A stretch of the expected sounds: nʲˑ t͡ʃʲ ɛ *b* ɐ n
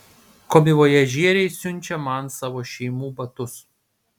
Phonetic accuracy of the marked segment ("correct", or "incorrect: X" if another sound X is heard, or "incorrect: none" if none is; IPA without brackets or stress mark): incorrect: m